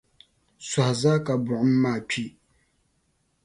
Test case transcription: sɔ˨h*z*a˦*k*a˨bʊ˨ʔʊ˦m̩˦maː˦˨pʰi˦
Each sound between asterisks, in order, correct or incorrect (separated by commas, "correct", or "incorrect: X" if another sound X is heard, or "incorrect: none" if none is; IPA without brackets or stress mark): correct, correct